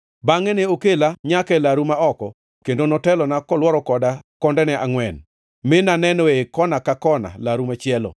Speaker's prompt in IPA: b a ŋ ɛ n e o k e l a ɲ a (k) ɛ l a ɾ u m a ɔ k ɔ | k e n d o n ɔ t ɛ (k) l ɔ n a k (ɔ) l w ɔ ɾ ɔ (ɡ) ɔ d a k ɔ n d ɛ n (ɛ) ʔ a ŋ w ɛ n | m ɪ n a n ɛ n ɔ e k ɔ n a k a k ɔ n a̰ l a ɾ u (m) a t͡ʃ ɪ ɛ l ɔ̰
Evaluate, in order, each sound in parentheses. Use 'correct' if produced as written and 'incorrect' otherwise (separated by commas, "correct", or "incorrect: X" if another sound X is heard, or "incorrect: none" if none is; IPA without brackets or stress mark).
correct, incorrect: none, correct, incorrect: k, correct, correct